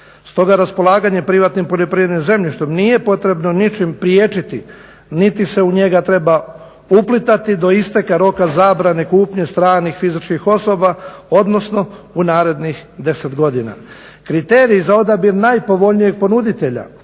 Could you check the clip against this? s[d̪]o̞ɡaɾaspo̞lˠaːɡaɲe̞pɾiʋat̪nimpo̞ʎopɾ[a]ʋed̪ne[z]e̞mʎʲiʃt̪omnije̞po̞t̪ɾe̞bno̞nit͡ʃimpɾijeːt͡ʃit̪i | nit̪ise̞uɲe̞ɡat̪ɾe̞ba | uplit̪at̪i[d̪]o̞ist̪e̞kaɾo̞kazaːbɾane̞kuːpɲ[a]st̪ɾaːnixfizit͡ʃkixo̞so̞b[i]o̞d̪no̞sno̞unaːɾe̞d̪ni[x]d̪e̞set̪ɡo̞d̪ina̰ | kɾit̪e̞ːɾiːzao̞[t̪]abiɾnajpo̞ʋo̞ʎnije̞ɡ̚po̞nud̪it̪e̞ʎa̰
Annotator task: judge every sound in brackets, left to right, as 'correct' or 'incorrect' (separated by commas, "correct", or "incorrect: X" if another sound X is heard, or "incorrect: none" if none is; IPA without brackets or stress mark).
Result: incorrect: t̪, incorrect: i, correct, correct, incorrect: e, incorrect: a, correct, incorrect: d̪